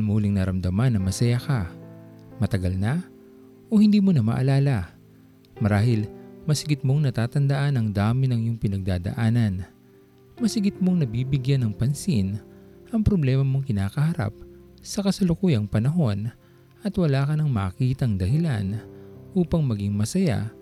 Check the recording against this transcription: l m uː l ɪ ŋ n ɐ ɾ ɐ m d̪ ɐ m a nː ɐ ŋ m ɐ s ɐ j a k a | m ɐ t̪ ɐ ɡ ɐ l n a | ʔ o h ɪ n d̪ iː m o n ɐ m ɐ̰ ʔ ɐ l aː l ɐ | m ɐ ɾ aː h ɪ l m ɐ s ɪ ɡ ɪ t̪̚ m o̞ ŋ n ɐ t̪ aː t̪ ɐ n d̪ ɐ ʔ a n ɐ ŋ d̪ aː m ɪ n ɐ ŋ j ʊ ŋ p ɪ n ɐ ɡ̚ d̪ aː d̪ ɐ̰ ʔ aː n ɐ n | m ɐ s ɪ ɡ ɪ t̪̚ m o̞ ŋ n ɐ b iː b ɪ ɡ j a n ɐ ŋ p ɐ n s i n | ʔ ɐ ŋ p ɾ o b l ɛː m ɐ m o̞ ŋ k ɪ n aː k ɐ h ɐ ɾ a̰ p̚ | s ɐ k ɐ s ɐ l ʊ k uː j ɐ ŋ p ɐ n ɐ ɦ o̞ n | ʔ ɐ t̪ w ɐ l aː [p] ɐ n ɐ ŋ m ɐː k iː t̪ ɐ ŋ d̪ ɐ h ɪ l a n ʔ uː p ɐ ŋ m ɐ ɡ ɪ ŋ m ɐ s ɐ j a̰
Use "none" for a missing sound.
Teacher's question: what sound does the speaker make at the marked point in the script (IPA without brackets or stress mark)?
k